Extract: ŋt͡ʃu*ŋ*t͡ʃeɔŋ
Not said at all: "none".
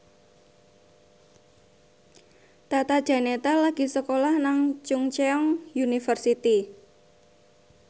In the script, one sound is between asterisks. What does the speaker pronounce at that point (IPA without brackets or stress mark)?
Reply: ŋ